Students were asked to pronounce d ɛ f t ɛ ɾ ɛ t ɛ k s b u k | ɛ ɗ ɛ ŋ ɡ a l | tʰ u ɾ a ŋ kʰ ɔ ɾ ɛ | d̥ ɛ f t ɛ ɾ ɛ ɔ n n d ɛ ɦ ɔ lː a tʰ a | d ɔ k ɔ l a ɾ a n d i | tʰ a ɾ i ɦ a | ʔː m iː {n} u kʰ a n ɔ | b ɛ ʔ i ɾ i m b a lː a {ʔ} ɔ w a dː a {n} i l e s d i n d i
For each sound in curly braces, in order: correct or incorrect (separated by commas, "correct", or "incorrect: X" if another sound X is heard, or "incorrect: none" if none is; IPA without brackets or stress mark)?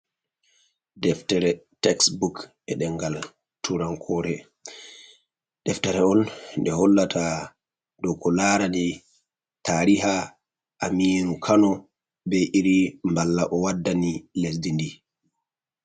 correct, correct, correct